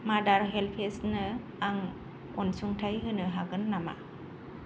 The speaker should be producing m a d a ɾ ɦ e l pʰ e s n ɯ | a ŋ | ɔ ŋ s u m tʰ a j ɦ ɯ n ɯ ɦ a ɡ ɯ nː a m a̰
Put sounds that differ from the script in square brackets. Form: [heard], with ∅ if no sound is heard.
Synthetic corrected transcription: m a d a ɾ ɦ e l pʰ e s n ɯ | a ŋ | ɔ [n] s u [ŋ] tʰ a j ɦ ɯ n ɯ ɦ a ɡ ɯ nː a m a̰